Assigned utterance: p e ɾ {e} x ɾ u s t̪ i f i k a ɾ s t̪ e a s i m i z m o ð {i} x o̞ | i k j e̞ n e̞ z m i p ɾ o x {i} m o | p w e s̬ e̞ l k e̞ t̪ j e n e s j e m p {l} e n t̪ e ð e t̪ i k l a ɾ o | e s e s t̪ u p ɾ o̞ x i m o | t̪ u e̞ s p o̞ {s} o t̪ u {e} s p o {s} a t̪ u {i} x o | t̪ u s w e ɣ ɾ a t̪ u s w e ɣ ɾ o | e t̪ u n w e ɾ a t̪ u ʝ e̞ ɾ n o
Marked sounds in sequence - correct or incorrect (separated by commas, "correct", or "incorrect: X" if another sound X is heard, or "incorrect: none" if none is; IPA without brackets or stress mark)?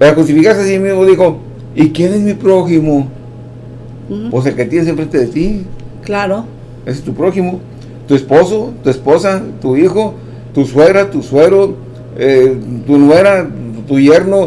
incorrect: a, correct, correct, incorrect: ɾ, correct, correct, correct, correct